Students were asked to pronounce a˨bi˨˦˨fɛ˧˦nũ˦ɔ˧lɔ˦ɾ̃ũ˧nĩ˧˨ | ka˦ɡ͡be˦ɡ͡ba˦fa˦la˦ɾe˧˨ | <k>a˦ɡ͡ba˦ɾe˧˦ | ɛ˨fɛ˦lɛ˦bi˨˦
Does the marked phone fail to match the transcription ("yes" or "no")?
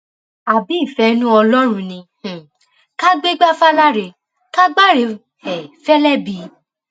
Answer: no